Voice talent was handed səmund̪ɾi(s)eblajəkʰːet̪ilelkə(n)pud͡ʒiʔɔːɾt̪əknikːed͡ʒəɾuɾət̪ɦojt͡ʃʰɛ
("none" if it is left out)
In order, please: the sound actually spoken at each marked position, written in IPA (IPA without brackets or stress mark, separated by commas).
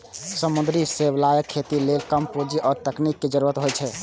s, m